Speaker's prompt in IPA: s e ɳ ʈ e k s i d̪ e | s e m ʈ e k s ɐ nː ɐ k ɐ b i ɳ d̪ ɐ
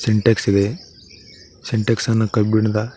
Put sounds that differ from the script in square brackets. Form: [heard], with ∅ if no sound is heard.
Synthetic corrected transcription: s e ɳ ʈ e k s i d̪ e | s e [ɳ] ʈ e k s ɐ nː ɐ k ɐ b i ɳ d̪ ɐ

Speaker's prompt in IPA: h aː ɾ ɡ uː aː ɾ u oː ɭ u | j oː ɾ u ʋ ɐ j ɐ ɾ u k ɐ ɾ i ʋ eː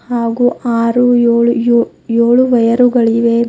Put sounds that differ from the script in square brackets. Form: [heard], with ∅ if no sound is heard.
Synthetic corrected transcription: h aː [∅] ɡ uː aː ɾ u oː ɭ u | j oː [ɭ] u ʋ ɐ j ɐ ɾ u [ɡ] ɐ [ɭ] i ʋ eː

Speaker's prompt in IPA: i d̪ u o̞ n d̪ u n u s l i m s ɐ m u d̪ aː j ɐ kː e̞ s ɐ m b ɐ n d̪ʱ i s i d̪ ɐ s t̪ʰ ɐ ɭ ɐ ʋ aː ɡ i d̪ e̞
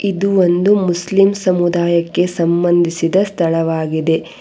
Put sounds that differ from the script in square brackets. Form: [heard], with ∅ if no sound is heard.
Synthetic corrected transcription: i d̪ u o̞ n d̪ u [m] u s l i m s ɐ m u d̪ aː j ɐ kː e̞ s ɐ m b ɐ n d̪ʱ i s i d̪ ɐ s t̪ʰ ɐ ɭ ɐ ʋ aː ɡ i d̪ e̞

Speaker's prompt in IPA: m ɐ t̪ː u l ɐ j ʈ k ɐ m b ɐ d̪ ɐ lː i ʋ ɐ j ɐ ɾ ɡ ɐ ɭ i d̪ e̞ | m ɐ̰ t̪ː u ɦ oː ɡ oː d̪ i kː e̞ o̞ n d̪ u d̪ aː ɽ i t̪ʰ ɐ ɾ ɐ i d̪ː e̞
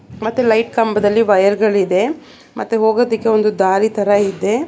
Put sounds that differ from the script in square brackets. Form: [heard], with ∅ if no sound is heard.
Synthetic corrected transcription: m ɐ t̪ː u l ɐ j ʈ k ɐ m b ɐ d̪ ɐ lː i ʋ ɐ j ɐ ɾ ɡ ɐ ɭ i d̪ e̞ | m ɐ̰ t̪ː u ɦ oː ɡ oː d̪ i kː e̞ o̞ n d̪ u d̪ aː [ɾ] i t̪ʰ ɐ ɾ ɐ i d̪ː e̞

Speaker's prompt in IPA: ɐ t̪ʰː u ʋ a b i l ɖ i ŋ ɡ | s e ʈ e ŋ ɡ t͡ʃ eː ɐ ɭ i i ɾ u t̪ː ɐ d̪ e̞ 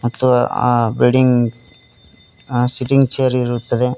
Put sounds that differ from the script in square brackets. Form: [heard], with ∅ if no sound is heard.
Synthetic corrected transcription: ɐ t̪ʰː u ʋ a b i l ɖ i ŋ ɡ | s [i] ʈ [i] ŋ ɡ t͡ʃ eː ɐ [ɾ] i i ɾ u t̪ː ɐ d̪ e̞

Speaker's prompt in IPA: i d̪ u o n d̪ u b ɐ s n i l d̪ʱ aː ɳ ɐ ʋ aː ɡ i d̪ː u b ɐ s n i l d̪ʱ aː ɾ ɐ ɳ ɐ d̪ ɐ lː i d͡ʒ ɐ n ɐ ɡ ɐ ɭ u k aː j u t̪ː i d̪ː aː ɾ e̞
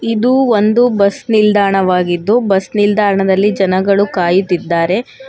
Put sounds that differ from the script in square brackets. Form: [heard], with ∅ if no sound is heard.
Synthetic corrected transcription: i d̪ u o n d̪ u b ɐ s n i l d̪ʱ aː ɳ ɐ ʋ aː ɡ i d̪ː u b ɐ s n i l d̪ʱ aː ɾ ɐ ɳ ɐ d̪ ɐ lː i d͡ʒ ɐ n ɐ ɡ ɐ ɭ u k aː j u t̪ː i d̪ː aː ɾ e̞

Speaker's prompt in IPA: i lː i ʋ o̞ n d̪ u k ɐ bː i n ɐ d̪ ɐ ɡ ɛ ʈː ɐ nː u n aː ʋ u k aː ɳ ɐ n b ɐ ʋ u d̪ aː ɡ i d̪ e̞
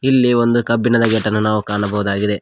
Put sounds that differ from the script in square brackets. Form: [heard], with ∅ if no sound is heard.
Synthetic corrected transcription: i lː i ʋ o̞ n d̪ u k ɐ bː i n ɐ d̪ ɐ ɡ ɛ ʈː ɐ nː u n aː ʋ u k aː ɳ ɐ [∅] b ɐ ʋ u d̪ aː ɡ i d̪ e̞

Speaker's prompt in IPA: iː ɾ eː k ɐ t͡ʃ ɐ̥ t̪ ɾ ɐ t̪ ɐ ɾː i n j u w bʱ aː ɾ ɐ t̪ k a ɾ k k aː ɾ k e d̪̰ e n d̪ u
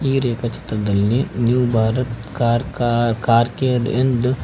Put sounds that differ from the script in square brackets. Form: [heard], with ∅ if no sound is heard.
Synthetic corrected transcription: iː ɾ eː k ɐ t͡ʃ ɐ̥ t̪ ɾ ɐ [d̪] ɐ [lː] i n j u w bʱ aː ɾ ɐ t̪ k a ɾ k k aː ɾ k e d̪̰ e n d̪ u

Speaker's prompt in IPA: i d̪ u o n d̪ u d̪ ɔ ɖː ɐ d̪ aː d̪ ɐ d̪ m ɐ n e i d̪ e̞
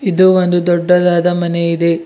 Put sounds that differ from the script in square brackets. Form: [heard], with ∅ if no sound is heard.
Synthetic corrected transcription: i d̪ u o n d̪ u d̪ ɔ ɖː ɐ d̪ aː d̪ ɐ [∅] m ɐ n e i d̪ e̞

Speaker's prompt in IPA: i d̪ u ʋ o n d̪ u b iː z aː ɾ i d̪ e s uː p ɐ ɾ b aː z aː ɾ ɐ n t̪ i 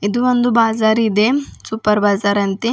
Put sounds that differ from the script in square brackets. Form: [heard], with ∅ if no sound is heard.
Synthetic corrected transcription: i d̪ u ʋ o n d̪ u b [aː] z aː ɾ i d̪ e s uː p ɐ ɾ b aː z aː ɾ ɐ n t̪ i

